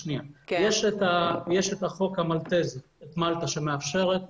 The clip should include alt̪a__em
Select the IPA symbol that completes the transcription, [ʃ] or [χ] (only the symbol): ʃ